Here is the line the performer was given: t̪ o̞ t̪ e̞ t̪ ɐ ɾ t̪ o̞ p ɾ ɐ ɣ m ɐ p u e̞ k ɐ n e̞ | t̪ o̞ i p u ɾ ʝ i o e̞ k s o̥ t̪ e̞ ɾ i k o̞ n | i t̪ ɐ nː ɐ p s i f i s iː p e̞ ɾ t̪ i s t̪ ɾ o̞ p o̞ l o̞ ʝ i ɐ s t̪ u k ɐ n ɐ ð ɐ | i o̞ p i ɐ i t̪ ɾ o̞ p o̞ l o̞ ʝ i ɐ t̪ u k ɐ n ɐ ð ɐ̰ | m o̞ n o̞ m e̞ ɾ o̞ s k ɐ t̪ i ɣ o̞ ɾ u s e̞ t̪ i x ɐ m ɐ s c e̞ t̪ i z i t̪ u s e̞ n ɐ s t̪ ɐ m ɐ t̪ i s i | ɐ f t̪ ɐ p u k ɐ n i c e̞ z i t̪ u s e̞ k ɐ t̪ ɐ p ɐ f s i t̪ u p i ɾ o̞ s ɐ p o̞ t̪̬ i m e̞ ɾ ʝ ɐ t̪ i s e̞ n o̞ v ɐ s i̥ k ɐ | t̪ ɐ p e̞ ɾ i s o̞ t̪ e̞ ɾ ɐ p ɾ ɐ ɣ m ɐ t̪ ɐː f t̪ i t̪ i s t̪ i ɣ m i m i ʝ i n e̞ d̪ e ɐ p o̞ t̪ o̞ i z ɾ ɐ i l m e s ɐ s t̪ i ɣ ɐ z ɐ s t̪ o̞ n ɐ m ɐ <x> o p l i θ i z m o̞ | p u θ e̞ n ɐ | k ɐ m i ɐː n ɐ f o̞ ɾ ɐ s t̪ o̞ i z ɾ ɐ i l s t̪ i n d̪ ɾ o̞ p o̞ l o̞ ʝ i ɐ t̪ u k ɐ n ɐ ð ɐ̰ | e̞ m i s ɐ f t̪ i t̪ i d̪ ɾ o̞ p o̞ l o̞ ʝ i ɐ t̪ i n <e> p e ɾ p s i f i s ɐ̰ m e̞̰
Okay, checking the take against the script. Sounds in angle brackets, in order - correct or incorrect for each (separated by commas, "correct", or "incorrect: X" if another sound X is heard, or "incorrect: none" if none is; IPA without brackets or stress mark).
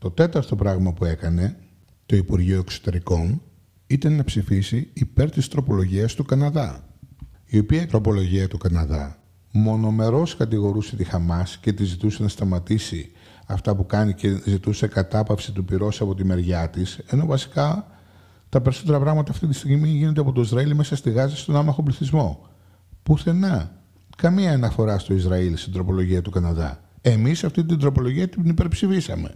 correct, incorrect: i